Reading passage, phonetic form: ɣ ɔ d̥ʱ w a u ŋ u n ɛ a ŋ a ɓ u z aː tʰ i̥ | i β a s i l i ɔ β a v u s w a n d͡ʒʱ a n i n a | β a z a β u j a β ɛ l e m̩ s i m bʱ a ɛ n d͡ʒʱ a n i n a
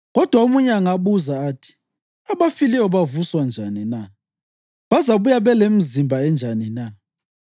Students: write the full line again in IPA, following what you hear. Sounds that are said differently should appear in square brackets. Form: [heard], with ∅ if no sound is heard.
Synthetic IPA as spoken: ɣ ɔ d̥ʱ w a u [m] u [ɲ] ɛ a ŋ a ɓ u z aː tʰ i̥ | [a] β a [f] i l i ɔ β a v u s w a n d͡ʒʱ a n i n a | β a z a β u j a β ɛ l e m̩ [z] i m bʱ a ɛ n d͡ʒʱ a n i n a